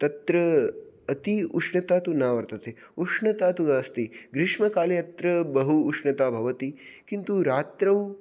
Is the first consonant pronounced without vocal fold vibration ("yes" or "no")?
yes